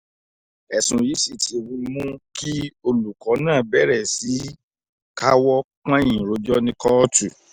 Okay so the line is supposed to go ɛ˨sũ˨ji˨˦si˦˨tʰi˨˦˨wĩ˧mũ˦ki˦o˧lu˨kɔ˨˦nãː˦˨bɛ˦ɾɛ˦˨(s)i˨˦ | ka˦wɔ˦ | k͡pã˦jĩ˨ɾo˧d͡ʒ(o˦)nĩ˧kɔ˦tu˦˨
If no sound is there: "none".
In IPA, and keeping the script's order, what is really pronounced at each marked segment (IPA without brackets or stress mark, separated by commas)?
s, ɔ˦